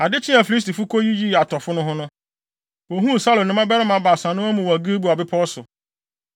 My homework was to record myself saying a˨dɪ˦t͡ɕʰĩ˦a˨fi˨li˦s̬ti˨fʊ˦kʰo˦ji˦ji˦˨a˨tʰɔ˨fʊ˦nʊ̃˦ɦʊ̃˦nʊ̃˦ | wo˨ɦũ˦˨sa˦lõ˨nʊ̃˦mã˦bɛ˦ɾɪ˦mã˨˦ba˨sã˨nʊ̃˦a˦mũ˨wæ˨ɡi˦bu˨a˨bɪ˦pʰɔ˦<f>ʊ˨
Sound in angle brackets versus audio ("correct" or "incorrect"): incorrect